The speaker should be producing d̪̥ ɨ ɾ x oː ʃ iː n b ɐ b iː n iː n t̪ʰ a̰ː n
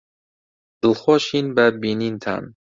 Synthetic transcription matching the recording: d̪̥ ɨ l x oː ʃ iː n b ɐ b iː n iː n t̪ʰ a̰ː n